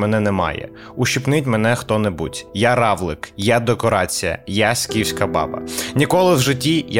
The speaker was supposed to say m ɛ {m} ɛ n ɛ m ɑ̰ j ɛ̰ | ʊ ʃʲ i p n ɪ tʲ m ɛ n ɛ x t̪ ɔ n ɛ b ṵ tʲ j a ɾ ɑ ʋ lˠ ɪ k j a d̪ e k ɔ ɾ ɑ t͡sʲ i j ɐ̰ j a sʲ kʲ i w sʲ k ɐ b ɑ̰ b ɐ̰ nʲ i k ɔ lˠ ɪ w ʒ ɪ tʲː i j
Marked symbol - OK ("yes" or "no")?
no